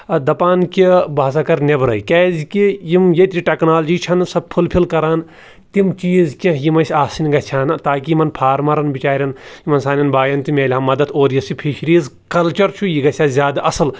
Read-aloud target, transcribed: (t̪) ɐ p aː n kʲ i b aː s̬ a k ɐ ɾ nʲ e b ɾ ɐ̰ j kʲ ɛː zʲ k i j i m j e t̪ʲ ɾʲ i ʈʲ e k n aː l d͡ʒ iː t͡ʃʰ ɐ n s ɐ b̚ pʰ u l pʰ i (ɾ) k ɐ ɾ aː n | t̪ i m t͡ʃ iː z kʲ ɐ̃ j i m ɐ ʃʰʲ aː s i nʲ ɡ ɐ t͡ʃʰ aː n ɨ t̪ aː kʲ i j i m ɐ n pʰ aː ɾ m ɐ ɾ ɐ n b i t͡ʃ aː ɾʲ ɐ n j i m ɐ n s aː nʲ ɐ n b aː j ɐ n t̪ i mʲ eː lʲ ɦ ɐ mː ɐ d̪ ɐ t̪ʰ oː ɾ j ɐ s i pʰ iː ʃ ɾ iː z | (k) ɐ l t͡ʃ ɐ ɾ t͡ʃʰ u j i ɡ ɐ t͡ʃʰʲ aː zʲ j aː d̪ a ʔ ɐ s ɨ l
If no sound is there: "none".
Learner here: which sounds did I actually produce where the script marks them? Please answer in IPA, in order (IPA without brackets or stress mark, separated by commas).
d̪, l, k